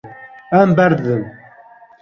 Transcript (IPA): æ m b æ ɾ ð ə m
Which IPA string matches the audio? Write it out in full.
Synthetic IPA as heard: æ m b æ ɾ ð ə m